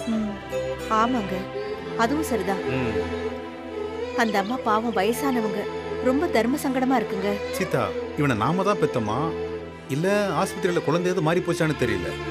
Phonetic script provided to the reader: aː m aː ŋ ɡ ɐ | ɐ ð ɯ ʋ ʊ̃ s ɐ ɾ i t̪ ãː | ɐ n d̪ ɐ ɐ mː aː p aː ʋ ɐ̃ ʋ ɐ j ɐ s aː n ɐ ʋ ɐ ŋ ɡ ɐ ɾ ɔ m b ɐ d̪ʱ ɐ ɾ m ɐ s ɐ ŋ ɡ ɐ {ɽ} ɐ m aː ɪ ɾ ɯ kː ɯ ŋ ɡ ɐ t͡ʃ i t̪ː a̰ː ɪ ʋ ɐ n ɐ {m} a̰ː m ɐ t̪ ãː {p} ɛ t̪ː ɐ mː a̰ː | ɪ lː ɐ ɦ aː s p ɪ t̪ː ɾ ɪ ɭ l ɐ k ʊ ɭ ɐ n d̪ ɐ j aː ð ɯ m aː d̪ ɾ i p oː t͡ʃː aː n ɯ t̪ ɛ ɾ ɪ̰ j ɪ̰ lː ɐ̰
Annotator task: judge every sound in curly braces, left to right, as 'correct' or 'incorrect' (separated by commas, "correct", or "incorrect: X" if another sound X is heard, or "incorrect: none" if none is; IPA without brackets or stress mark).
correct, incorrect: n, correct